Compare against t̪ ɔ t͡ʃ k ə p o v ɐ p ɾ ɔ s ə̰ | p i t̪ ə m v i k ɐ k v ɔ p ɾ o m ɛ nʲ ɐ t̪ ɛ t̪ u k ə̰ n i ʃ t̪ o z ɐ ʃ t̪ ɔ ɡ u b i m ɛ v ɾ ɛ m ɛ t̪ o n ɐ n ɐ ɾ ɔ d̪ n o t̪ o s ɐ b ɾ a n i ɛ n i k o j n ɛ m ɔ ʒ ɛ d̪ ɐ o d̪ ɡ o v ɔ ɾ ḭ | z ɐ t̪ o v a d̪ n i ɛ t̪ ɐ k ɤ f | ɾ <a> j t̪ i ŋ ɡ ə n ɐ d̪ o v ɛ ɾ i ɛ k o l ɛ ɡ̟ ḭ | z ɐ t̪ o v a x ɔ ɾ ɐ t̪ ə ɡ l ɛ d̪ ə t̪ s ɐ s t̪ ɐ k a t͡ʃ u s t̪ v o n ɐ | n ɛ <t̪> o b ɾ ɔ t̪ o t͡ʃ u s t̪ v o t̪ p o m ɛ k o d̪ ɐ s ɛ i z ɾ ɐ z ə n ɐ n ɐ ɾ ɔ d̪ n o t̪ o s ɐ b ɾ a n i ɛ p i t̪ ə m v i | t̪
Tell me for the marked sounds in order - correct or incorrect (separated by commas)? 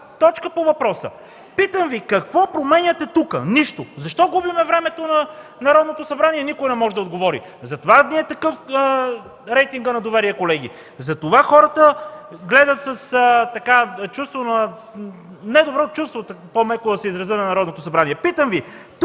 incorrect, incorrect